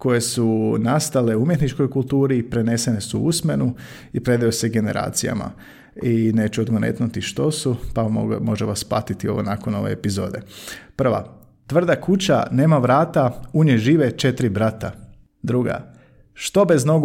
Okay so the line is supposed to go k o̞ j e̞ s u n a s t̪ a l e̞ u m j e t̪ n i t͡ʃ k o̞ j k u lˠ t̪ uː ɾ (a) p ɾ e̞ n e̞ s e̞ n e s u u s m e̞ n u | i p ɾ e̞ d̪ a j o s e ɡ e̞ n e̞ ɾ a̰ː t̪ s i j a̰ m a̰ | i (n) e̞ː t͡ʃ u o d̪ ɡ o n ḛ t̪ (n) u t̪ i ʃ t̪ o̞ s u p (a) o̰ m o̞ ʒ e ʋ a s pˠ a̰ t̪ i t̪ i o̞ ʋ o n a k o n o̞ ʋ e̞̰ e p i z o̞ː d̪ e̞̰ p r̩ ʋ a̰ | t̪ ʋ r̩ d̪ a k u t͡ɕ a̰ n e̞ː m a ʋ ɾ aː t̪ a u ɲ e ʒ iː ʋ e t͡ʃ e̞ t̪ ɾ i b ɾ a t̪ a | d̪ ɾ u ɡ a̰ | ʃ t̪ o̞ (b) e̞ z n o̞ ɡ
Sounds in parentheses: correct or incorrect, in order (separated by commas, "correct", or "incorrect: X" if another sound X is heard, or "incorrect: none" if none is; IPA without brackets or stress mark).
incorrect: i, correct, correct, correct, correct